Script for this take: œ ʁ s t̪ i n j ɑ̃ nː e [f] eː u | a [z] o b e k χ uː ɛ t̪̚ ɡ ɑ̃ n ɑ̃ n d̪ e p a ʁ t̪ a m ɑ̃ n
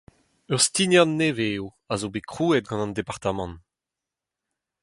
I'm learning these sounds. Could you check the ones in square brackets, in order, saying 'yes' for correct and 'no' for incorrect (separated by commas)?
no, yes